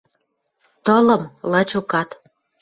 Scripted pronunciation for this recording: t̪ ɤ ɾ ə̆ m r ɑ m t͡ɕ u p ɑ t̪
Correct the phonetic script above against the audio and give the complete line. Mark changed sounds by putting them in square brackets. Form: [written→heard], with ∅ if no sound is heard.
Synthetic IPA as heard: t̪ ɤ [ɾ→l] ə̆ m [r→l] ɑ [m→∅] t͡ɕ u [p→k] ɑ t̪